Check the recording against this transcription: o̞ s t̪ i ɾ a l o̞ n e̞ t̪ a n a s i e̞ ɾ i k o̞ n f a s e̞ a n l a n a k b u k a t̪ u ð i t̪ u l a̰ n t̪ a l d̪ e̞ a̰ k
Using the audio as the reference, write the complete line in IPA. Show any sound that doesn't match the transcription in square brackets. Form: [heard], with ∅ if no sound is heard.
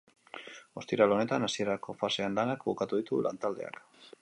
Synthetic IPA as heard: o̞ s t̪ i ɾ a l o̞ n e̞ t̪ a n a s i e̞ ɾ [a] k o̞ [∅] f a s e̞ a n l a n a k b u k a t̪ u ð i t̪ u l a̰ n t̪ a l d̪ e̞ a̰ k